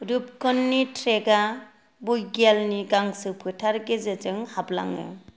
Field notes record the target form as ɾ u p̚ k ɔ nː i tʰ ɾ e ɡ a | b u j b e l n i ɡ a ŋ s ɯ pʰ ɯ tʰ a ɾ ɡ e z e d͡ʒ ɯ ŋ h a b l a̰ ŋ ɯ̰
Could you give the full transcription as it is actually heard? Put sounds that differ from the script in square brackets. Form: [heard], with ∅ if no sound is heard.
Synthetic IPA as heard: ɾ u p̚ k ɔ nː i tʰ ɾ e ɡ a | b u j [ɡ] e l n i ɡ a ŋ s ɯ pʰ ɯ tʰ a ɾ ɡ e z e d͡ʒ ɯ ŋ h a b l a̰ ŋ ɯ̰